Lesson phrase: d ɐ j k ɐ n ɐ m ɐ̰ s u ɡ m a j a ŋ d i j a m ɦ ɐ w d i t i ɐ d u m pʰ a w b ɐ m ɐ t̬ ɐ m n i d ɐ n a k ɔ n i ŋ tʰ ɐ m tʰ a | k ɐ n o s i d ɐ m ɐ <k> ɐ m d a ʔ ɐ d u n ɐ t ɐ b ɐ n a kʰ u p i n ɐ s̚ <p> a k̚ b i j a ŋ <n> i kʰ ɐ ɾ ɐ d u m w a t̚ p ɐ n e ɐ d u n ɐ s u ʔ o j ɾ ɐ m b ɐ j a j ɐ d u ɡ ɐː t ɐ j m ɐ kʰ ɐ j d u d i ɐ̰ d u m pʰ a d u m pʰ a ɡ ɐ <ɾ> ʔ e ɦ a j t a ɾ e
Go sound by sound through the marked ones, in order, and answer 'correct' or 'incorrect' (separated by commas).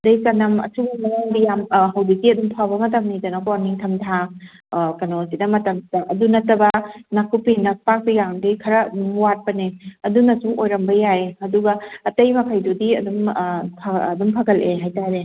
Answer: incorrect, correct, incorrect, incorrect